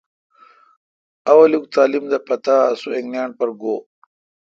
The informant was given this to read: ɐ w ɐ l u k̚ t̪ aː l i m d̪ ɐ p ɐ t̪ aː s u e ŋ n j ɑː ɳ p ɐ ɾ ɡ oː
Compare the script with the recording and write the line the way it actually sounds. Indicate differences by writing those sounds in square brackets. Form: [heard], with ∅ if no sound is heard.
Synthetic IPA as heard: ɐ w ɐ l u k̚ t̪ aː l i m d̪ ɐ p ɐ t̪ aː s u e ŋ n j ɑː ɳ p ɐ ɾ ɡ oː

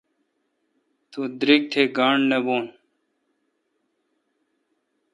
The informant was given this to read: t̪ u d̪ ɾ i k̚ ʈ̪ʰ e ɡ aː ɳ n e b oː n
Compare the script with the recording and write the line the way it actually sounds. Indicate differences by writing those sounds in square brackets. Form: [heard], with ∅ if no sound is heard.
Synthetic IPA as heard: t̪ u d̪ ɾ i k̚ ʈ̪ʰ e ɡ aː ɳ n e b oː n

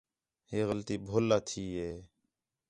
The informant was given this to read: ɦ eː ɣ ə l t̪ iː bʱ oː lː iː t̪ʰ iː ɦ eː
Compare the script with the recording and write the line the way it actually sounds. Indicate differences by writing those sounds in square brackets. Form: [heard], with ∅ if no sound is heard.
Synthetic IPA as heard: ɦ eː ɣ ə l t̪ iː bʱ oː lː [aː] t̪ʰ iː ɦ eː

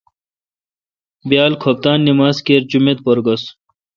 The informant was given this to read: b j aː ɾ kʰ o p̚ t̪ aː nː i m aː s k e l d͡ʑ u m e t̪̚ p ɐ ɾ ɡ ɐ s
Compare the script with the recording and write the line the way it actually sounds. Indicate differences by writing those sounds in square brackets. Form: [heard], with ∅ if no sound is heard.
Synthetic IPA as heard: b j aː [l] kʰ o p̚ t̪ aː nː i m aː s k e [ɾ] d͡ʑ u m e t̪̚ p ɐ ɾ ɡ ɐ s

